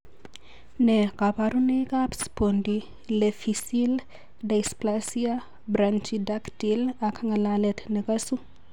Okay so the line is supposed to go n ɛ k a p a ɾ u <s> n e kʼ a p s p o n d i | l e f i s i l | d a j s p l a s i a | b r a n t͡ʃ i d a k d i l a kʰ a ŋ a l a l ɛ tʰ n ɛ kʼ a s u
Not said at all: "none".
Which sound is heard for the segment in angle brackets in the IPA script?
none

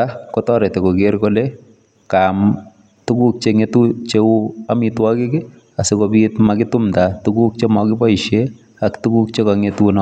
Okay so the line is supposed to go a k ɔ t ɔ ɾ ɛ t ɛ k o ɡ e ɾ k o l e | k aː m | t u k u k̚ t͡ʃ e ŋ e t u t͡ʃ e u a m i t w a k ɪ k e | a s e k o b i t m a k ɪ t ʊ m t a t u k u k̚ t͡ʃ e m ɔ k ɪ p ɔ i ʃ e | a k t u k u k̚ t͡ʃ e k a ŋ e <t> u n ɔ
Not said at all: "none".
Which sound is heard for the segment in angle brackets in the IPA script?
t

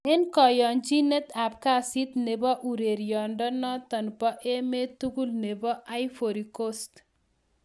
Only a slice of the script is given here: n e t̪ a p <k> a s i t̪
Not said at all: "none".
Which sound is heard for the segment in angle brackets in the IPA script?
k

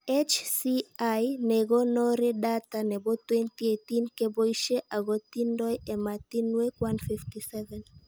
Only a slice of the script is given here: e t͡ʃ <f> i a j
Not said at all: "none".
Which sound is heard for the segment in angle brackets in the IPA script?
s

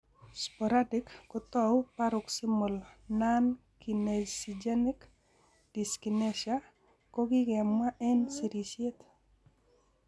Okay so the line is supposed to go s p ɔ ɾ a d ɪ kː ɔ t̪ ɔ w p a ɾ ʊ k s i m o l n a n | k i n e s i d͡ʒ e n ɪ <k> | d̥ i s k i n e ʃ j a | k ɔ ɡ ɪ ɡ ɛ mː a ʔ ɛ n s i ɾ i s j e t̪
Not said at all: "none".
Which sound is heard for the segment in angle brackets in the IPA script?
k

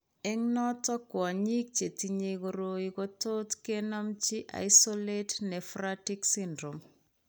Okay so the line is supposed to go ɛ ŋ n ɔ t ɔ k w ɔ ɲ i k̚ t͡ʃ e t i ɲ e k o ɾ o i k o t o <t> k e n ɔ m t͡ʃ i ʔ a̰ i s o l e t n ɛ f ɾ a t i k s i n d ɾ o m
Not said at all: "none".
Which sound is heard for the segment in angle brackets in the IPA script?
t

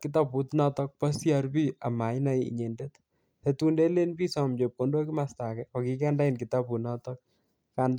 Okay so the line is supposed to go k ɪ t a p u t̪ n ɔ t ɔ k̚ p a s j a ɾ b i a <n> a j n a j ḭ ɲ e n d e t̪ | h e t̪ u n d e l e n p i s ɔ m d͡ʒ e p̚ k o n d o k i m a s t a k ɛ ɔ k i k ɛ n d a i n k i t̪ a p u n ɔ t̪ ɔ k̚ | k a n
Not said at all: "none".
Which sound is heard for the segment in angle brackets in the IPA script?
m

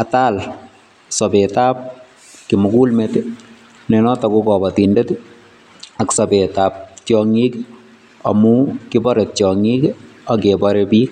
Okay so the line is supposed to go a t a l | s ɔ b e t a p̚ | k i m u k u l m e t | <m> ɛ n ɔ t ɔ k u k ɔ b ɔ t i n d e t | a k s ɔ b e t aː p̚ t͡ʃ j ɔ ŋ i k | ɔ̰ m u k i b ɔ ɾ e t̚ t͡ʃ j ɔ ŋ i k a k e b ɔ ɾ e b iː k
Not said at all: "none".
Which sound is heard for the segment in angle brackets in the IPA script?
n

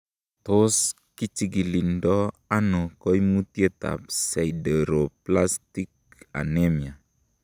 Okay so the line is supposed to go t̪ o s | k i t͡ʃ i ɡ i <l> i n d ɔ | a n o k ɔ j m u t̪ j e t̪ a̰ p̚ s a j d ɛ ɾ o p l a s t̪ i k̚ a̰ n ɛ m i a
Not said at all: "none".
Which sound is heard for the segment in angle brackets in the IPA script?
l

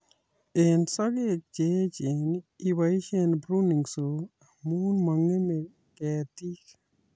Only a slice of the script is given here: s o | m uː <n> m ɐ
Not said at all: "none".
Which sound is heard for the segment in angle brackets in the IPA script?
n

